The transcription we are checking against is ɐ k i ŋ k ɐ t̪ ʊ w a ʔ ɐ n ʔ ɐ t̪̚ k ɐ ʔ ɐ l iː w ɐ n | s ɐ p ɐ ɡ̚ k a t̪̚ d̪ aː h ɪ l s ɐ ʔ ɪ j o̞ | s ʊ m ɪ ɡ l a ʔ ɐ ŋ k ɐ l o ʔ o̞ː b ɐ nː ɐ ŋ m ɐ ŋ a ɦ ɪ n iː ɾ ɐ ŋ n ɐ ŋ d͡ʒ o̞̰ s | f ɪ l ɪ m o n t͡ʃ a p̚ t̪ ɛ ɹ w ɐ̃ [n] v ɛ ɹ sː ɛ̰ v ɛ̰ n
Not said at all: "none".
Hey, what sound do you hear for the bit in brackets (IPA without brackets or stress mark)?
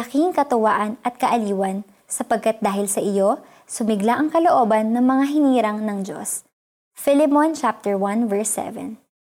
n